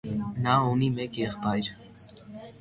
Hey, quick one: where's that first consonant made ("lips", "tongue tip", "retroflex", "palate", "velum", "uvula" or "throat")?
tongue tip